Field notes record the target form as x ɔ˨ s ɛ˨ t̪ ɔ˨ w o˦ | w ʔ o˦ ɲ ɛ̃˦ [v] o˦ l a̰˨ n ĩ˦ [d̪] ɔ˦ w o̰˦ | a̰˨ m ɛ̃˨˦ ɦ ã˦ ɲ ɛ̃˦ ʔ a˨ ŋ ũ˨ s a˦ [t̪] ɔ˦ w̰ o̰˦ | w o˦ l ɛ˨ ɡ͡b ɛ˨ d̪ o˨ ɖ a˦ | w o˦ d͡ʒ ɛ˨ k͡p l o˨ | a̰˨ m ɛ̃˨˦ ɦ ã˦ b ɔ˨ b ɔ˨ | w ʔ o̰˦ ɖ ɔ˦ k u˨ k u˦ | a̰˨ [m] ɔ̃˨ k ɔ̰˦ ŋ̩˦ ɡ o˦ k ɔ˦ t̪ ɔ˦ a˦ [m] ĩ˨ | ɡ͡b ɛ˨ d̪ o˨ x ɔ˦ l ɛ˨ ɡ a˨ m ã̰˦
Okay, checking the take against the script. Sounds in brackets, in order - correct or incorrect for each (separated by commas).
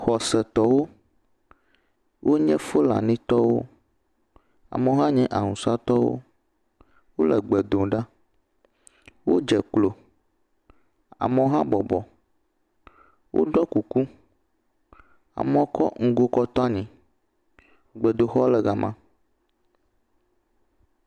incorrect, incorrect, correct, correct, incorrect